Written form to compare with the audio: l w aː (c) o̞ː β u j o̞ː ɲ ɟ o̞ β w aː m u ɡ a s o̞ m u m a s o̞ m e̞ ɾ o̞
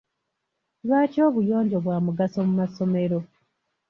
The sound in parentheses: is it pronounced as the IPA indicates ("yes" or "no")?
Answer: yes